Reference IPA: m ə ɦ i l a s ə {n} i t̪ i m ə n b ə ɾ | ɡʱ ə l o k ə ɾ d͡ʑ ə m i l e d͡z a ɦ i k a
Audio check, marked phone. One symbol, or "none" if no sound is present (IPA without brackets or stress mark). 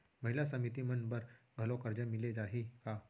m